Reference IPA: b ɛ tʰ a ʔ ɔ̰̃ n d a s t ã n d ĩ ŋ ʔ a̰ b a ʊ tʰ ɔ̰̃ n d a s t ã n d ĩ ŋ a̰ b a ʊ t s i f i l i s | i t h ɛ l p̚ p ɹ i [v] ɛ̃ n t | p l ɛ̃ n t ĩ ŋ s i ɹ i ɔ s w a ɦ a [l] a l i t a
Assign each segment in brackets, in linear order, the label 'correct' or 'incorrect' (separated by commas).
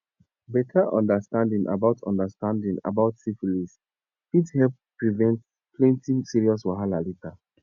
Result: correct, correct